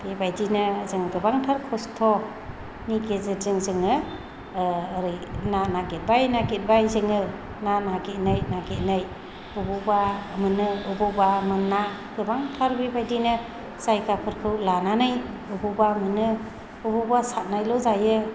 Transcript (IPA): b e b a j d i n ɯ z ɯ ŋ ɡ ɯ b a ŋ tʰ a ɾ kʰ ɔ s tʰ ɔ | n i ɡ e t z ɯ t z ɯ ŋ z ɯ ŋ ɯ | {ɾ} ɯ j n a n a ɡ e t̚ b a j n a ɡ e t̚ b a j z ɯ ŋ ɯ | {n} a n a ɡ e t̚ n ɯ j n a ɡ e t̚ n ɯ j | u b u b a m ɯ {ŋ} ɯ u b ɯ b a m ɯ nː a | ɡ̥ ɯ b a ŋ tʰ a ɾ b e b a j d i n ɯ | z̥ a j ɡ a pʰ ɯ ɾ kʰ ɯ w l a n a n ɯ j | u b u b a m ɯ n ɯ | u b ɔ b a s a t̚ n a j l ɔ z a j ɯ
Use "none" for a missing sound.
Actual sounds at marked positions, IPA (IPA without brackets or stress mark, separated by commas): ɾ, n, n